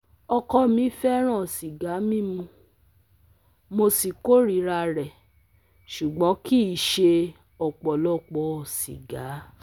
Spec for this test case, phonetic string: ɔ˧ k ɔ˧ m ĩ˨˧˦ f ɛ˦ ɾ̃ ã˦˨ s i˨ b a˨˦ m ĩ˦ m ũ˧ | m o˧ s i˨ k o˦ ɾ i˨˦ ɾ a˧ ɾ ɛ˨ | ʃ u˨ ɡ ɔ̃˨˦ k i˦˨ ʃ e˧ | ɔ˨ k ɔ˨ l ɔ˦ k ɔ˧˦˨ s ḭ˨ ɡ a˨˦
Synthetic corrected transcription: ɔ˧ k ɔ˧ m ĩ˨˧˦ f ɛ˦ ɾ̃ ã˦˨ s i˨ ɡ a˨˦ m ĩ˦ m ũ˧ | m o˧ s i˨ k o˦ ɾ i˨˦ ɾ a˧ ɾ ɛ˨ | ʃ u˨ ɡ͡b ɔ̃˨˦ k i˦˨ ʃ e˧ | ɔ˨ k͡p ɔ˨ l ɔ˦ k͡p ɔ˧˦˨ s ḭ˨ ɡ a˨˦